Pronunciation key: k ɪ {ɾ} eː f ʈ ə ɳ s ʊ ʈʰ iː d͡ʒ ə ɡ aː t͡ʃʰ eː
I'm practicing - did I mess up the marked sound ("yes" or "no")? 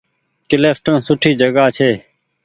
yes